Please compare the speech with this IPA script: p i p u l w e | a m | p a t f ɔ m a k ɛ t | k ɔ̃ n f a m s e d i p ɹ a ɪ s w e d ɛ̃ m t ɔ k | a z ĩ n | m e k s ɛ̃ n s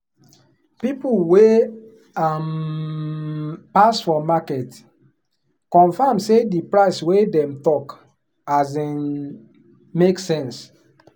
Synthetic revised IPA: p i p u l w e | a m | p a s f ɔ m a k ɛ t | k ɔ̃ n f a m s e d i p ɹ a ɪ s w e d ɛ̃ m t ɔ k | a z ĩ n | m e k s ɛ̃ n s